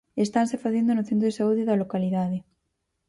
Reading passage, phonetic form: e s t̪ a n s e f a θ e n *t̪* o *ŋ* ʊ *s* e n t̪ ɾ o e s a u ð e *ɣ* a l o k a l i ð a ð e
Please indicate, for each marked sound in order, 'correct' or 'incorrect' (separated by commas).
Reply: incorrect, incorrect, incorrect, incorrect